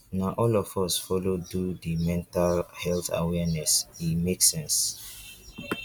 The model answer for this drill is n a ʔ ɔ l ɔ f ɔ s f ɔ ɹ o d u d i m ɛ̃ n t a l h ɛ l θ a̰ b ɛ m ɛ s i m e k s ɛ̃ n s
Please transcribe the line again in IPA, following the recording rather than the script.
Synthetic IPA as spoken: n a ʔ ɔ l ɔ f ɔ s f ɔ l o d u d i m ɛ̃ n t a l h ɛ l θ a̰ w ɛ n ɛ s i m e k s ɛ̃ n s